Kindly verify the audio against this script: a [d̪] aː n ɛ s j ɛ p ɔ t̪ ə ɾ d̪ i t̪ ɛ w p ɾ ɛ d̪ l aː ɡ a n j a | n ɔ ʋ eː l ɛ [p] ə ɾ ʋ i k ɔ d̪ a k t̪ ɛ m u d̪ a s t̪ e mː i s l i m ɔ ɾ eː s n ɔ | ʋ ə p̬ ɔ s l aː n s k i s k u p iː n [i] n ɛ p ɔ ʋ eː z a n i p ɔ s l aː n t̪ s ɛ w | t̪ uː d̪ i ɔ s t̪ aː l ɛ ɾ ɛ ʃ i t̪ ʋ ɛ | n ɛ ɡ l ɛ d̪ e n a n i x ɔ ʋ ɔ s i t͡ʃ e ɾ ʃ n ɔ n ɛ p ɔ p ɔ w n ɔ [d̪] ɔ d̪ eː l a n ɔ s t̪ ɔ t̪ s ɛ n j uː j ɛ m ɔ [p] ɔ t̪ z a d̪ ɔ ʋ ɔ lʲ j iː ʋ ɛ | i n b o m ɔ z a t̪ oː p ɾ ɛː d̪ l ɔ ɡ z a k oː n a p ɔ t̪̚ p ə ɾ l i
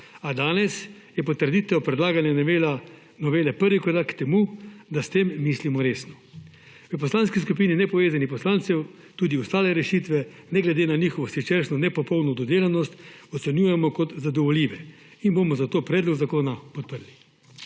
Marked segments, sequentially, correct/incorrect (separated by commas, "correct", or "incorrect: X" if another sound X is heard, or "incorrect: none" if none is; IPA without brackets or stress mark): correct, correct, correct, correct, incorrect: k